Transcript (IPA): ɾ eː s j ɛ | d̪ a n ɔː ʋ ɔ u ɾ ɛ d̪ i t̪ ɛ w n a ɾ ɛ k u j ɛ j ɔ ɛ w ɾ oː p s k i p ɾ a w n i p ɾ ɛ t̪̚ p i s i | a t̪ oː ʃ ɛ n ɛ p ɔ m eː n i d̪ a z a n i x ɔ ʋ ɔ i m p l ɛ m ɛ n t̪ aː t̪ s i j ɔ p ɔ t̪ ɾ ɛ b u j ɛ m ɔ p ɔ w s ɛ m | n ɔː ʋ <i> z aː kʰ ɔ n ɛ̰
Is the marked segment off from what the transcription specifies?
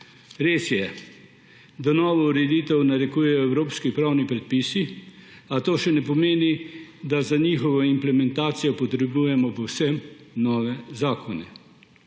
yes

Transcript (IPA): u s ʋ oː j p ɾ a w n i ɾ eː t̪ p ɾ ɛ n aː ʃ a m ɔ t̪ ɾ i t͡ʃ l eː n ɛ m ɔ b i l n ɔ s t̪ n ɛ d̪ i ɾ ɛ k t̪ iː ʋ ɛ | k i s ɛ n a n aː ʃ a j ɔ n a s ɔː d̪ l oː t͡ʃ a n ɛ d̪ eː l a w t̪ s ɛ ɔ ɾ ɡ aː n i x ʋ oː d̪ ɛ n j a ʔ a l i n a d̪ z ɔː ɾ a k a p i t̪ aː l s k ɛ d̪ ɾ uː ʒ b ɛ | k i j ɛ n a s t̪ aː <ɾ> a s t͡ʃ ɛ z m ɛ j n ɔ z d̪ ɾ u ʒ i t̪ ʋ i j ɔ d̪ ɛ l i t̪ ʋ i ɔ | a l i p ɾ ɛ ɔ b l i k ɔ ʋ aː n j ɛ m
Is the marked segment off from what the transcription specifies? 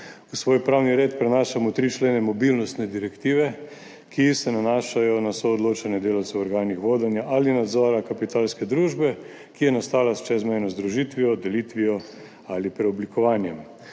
yes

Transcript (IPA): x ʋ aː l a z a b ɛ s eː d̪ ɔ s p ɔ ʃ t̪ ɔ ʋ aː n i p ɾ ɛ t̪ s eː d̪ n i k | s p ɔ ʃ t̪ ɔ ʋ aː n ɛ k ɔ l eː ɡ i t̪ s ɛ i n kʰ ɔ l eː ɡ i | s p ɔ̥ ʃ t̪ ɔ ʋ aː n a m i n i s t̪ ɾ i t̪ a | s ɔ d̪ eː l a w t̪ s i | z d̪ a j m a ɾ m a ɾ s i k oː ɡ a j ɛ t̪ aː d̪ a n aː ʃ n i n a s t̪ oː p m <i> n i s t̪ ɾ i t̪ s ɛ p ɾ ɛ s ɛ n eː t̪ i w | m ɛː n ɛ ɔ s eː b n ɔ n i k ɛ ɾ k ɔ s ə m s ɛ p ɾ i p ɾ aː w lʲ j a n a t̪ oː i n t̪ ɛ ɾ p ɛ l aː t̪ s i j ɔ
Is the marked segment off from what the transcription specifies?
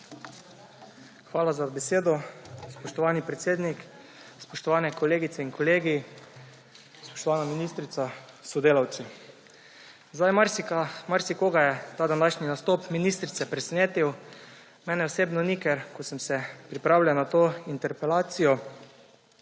no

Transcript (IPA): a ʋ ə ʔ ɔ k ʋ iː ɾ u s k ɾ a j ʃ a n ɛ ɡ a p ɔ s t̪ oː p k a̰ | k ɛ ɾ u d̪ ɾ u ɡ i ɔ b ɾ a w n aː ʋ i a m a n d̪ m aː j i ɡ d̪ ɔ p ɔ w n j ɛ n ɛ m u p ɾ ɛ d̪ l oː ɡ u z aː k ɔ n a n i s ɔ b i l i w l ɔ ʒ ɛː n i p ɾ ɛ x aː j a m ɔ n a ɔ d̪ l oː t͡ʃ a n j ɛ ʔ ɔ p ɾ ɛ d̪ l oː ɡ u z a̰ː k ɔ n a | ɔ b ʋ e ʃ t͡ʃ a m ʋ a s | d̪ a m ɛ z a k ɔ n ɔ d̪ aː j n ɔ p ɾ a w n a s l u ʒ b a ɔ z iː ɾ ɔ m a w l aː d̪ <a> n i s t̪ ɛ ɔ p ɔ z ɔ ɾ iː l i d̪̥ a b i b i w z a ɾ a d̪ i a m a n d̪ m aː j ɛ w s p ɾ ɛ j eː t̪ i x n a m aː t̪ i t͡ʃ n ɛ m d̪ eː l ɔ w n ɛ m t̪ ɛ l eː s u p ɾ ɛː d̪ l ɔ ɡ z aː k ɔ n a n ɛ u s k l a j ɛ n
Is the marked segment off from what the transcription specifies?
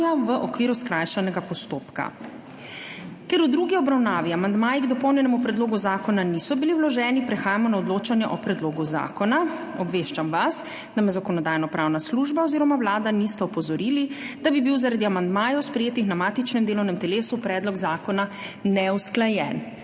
no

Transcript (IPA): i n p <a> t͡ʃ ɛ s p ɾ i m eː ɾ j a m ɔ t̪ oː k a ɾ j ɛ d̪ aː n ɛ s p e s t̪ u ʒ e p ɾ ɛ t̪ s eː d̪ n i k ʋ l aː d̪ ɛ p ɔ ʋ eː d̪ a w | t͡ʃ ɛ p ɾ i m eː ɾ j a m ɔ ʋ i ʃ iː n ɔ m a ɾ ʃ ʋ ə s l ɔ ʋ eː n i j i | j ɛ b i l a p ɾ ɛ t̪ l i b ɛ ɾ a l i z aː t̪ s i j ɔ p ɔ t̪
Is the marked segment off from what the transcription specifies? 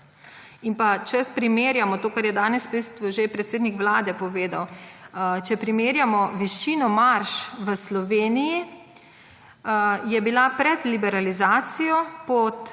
no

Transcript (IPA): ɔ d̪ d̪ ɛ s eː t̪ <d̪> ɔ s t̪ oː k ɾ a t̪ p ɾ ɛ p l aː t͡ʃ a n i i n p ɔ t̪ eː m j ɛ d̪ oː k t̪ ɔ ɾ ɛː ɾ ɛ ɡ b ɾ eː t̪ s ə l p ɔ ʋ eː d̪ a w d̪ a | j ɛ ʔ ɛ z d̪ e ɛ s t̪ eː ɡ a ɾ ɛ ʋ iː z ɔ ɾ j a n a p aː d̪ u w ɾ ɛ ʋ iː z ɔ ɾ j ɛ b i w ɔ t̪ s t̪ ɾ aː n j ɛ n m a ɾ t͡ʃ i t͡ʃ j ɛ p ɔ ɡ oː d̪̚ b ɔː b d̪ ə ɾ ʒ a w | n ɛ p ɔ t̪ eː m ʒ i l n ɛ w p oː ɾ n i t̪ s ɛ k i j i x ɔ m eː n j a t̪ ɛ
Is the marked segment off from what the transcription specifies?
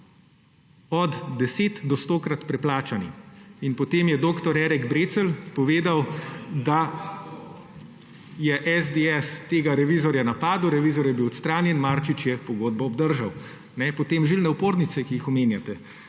no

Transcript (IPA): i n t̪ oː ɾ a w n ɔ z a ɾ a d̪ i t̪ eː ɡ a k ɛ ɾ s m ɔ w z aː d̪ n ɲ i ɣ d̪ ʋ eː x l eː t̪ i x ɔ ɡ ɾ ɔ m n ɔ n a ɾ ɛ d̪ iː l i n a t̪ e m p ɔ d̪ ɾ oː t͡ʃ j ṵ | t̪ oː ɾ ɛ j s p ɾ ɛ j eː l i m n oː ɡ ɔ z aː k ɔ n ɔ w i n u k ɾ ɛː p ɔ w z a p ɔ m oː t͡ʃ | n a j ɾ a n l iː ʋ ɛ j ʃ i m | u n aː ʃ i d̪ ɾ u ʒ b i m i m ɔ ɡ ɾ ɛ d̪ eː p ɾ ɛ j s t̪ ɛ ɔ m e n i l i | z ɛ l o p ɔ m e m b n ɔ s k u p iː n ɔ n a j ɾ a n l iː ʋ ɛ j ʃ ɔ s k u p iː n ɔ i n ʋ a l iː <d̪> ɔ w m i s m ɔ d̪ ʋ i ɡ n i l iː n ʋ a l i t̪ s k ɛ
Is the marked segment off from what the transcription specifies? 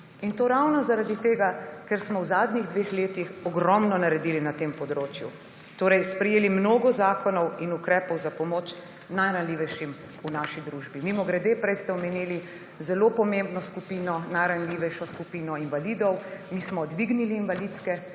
no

